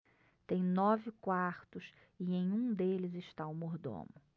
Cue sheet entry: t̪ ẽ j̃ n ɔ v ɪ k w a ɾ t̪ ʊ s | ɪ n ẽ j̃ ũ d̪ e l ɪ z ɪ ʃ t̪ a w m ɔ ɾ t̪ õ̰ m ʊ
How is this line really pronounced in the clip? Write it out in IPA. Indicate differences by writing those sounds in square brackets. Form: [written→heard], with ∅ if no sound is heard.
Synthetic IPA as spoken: t̪ ẽ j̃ n ɔ v ɪ k w a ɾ t̪ ʊ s | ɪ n ẽ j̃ ũ d̪ e l ɪ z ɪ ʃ t̪ a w m [ɔ→o] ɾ [t̪→d̪] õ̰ m ʊ